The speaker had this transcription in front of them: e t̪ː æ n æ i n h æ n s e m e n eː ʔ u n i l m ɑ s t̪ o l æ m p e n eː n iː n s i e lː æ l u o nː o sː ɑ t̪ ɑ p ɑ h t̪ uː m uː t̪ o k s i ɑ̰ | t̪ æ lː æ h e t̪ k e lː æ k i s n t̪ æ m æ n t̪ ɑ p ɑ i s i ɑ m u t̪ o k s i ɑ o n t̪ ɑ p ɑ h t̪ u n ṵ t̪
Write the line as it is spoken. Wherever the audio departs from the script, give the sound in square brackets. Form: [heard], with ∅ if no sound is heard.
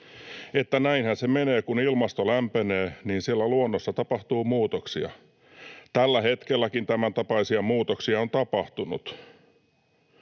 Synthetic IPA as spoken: e t̪ː æ n æ i n h æ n s e m e n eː [k] u n i l m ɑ s t̪ o l æ m p e n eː n iː n s i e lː æ l u o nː o sː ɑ t̪ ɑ p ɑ h t̪ uː m uː t̪ o k s i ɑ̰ | t̪ æ lː æ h e t̪ k e lː æ k i [∅] n t̪ æ m æ n t̪ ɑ p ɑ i s i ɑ m [uː] t̪ o k s i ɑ o n t̪ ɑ p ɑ h t̪ u n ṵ t̪

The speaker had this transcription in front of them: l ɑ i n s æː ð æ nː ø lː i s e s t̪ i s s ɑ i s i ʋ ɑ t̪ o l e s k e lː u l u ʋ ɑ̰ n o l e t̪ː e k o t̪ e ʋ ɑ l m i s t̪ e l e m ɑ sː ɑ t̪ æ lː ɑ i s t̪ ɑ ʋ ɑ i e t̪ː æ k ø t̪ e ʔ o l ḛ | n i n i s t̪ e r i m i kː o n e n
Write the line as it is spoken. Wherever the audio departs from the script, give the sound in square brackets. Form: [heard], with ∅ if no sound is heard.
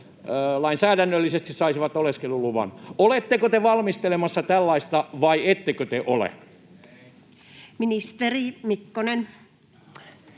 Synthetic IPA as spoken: l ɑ i n s æː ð æ nː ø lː i s e s t̪ i s s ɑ i s i ʋ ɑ t̪ o l e s k e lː u l u ʋ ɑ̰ n o l e t̪ː e k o t̪ e ʋ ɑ l m i s t̪ e l e m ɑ sː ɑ t̪ æ lː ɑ i s t̪ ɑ ʋ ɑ i e t̪ː [e] k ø t̪ e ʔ o l ḛ | [m] i n i s t̪ e r i m i kː o n e n

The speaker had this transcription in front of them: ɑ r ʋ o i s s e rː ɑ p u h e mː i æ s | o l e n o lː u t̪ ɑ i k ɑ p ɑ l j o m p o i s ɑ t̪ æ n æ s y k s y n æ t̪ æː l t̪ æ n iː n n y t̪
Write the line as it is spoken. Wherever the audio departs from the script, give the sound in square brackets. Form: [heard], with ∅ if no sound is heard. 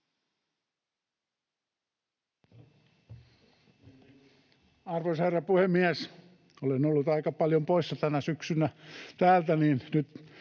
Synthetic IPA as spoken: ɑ r ʋ o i s [h] e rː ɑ p u h e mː i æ s | o l e n o lː u t̪ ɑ i k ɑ p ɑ l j o m p o i [sː] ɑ t̪ æ n æ s y k s y n æ t̪ æː l t̪ æ n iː n n y t̪

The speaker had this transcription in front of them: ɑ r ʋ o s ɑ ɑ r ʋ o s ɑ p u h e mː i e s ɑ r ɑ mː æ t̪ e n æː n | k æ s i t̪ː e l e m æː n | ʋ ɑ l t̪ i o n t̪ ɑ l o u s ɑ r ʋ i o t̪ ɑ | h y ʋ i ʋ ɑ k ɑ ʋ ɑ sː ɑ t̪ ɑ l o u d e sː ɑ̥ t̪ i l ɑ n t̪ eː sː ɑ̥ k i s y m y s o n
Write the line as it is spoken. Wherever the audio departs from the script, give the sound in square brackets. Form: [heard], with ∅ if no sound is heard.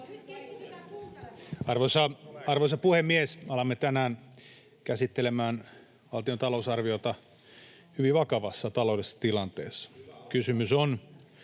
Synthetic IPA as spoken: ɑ r ʋ o s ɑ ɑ r ʋ o s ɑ p u h e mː i e s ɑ [l] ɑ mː [e] t̪ [æ] n æː n | k æ s i t̪ː e l e m æː n | ʋ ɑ l t̪ i o n t̪ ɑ l o u s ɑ r ʋ i o t̪ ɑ | h y ʋ i ʋ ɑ k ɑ ʋ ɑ sː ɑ t̪ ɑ l o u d e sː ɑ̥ t̪ i l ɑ n t̪ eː sː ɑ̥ k [y] s y m y s o n

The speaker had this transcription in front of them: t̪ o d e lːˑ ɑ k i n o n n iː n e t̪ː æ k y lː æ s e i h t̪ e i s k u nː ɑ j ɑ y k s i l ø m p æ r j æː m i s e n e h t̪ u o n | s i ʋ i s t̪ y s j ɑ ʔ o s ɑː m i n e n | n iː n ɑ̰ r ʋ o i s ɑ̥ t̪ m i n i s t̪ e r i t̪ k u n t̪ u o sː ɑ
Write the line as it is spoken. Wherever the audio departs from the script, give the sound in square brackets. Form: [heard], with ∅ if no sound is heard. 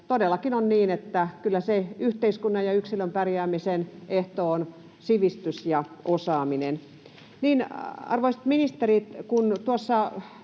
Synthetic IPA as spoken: t̪ o d e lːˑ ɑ k i n o n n iː n e t̪ː æ k y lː æ s e [y] h t̪ e i s k u nː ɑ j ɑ y k s i l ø m p æ r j æː m i s e n e h t̪ [o] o n | s i ʋ i s t̪ y s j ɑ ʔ o s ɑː m i n e n | n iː n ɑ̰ r ʋ o i s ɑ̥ t̪ m i n i s t̪ e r i t̪ k u n t̪ u o sː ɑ

